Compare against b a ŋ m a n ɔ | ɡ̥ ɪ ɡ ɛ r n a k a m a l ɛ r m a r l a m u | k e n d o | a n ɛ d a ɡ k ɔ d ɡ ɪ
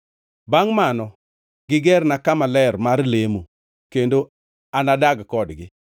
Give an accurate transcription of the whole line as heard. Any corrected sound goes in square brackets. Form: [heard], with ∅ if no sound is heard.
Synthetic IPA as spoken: b a ŋ m a n ɔ | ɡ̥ ɪ ɡ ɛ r n a k a m a l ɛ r m a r l [e] m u | k e n d o | a n [a] d a ɡ k ɔ d ɡ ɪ